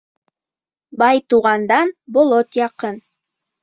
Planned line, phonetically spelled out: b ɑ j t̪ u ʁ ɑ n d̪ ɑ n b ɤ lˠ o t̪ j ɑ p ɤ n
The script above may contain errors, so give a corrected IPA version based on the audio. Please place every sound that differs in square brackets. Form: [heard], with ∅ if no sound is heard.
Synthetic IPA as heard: b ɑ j t̪ u ʁ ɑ n d̪ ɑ n b [o] lˠ o t̪ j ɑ [q] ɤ n